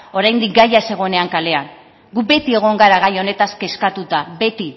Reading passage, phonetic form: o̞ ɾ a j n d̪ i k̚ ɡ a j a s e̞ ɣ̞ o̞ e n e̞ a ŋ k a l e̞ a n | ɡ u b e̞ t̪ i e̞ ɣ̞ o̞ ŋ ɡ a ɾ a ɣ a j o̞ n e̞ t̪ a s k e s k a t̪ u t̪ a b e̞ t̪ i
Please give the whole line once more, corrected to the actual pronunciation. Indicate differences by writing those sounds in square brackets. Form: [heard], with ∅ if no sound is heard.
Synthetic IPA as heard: o̞ ɾ a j n d̪ i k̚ ɡ a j a s e̞ ɣ̞ o̞ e n e̞ a ŋ k a l e̞ a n | ɡ u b e̞ t̪ i e̞ ɣ̞ o̞ ŋ ɡ a ɾ a ɣ a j o̞ n e̞ t̪ a s k e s k a t̪ u t̪ a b e̞ t̪ i